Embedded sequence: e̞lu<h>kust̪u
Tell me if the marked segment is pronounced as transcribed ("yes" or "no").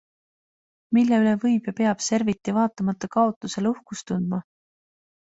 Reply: yes